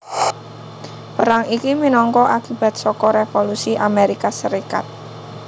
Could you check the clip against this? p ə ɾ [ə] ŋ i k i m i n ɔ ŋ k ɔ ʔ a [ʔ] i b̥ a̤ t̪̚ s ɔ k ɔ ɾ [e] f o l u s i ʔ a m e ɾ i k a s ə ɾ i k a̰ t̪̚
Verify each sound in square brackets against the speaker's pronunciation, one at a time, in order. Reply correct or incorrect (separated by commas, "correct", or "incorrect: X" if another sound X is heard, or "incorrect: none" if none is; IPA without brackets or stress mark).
incorrect: a, incorrect: k, correct